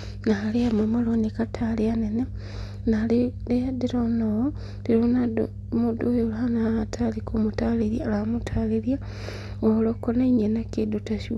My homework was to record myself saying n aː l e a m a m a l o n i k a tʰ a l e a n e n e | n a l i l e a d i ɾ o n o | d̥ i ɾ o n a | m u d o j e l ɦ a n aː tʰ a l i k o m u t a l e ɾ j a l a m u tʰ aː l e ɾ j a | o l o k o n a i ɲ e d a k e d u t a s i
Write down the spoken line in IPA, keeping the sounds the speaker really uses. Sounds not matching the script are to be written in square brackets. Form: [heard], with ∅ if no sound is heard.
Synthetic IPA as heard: n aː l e a m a m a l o n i k a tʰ a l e a n e n e | n a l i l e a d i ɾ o n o | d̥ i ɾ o n a | m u d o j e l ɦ a n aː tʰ a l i k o m u t a l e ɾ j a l a m u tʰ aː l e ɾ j a | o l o k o n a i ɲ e [n] a k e d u t a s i